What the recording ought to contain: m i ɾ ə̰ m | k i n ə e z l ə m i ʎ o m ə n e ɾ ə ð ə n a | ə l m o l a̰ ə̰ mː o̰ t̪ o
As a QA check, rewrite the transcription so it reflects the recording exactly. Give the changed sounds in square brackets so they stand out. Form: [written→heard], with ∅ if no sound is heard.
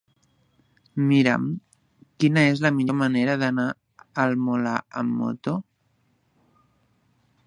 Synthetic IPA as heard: m i ɾ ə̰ m | k i n ə e z l ə m i ʎ o m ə n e ɾ ə ð ə n a | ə l m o l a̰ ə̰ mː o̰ t̪ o